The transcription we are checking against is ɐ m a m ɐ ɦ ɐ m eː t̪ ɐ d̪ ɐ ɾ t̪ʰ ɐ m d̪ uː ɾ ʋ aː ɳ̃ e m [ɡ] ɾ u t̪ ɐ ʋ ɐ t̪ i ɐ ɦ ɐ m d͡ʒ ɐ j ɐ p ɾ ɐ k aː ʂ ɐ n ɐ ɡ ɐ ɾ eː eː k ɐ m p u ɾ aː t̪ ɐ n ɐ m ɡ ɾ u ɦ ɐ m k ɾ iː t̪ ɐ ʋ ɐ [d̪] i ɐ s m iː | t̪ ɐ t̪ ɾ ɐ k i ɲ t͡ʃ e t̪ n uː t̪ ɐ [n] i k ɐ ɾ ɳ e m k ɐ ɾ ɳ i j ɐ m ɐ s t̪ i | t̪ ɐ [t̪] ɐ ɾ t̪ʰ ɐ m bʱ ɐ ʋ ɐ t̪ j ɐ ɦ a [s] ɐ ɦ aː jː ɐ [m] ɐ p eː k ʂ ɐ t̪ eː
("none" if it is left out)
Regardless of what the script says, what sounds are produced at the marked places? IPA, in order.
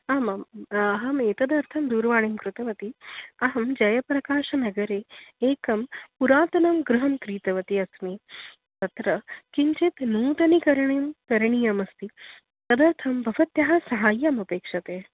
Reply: k, t̪, n, d̪, s, m

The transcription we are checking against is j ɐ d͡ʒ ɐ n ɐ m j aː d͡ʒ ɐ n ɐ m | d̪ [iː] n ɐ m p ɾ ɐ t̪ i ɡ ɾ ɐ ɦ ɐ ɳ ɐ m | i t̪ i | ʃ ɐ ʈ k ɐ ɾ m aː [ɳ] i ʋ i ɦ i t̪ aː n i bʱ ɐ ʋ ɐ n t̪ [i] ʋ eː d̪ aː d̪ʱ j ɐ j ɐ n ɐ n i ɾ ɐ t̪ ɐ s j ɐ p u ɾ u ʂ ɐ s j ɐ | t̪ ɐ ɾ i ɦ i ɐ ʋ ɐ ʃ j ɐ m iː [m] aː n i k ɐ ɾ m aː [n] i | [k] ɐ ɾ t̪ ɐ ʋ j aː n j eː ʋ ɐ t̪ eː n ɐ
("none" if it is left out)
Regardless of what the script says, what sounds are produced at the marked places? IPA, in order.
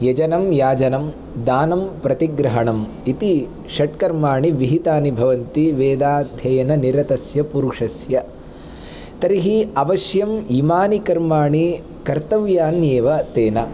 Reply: aː, ɳ, i, m, ɳ, k

